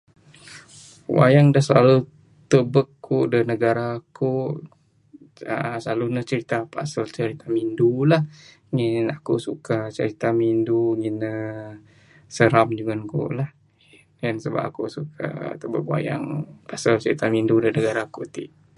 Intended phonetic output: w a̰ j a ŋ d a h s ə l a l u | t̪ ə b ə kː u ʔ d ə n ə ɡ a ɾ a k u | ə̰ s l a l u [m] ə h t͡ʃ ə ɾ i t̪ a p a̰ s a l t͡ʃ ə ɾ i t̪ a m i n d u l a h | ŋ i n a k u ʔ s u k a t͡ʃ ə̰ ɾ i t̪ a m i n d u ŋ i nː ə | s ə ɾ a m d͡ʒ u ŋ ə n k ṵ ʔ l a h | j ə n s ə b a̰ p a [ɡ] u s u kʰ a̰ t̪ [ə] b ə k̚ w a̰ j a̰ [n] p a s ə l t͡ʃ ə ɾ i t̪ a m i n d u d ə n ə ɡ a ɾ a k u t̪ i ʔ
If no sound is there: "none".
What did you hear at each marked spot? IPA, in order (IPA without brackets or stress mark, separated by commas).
n, k, ə, ŋ